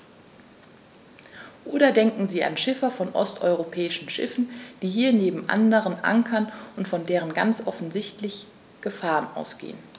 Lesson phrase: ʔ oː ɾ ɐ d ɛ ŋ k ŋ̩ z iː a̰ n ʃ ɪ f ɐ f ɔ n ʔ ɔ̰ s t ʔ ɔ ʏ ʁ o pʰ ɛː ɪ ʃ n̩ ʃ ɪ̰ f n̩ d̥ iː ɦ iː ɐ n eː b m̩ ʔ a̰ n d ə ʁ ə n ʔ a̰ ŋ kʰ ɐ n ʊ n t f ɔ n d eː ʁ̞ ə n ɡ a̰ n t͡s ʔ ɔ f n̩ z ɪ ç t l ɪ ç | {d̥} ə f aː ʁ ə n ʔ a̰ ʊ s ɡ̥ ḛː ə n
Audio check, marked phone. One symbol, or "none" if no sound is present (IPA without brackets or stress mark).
ɡ̥